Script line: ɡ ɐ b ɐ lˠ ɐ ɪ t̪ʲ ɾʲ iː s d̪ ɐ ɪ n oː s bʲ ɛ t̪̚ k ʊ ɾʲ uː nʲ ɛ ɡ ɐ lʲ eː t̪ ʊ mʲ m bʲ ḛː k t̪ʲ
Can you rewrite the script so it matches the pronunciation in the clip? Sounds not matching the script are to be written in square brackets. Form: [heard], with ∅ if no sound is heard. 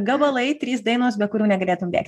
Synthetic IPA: ɡ ɐ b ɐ lˠ ɐ ɪ t̪ʲ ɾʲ iː s d̪ ɐ ɪ n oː s bʲ ɛ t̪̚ k ʊ ɾʲ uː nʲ ɛ ɡ ɐ lʲ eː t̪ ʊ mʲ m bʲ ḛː k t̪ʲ